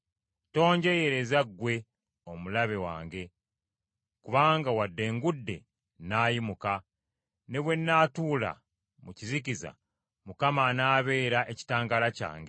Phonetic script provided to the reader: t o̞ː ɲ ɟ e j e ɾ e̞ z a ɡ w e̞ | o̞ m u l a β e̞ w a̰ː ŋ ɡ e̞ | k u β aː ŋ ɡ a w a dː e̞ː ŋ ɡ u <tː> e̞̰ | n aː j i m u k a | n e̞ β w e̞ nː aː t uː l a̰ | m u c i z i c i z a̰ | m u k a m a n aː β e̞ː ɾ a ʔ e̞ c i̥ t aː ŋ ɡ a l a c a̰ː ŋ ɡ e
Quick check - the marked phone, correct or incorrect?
incorrect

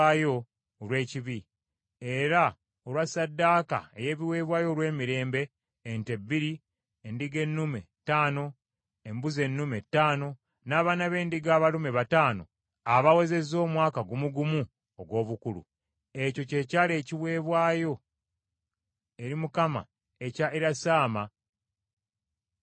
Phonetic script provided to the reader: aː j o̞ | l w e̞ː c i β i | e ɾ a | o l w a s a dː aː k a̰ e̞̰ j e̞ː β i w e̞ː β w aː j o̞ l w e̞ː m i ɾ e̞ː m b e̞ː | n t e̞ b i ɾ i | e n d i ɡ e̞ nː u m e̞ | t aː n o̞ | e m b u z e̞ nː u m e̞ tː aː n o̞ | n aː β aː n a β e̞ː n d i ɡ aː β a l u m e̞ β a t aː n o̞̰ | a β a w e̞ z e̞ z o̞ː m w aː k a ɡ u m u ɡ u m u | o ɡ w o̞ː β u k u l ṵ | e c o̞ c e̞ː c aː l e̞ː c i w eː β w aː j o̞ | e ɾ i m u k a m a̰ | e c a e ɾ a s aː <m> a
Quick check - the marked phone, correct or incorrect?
correct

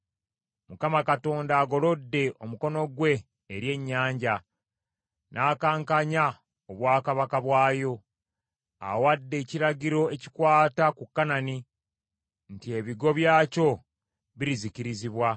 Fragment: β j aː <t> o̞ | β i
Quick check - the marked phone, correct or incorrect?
incorrect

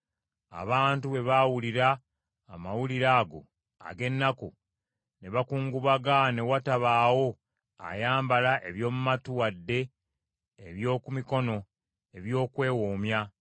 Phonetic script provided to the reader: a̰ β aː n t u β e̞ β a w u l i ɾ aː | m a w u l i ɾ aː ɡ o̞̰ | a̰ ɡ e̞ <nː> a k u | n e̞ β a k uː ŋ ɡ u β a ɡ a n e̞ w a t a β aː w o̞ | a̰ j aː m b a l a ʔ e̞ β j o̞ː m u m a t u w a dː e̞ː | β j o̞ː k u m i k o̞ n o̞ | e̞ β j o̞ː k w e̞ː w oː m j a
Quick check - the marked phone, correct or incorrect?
correct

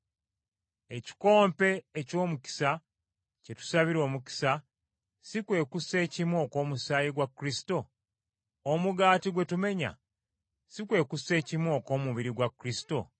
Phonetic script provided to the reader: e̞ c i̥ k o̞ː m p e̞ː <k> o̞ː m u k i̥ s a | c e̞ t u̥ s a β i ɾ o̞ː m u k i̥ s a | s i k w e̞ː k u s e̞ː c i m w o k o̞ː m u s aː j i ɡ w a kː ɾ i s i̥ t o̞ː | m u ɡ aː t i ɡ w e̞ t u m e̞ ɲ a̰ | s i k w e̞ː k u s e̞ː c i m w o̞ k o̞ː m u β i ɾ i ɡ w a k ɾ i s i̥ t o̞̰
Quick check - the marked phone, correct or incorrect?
incorrect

